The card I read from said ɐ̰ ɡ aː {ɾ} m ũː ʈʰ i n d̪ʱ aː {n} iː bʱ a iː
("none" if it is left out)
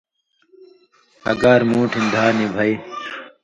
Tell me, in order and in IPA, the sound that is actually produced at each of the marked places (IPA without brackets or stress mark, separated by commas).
ɾ, n